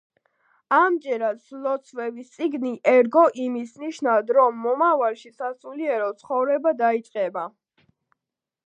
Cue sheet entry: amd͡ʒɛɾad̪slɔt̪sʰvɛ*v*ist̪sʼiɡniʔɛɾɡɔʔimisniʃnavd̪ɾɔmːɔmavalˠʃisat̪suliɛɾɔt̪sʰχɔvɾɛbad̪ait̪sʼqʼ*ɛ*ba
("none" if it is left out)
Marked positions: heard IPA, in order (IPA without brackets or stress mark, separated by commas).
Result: v, ɛ